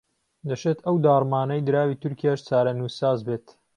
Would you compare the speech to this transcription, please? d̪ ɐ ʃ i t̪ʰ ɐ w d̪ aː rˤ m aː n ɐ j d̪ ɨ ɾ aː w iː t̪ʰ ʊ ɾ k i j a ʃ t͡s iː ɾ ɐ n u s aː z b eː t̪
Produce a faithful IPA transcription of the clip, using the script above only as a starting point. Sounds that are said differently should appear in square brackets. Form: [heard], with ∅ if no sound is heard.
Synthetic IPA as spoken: d̪ ɐ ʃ [e] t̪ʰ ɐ w d̪ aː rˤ m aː n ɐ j d̪ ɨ ɾ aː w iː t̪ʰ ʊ ɾ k i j a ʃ t͡s [aː] ɾ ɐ n u s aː z b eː t̪